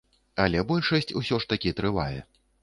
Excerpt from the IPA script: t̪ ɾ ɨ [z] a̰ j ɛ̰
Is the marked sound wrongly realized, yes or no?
yes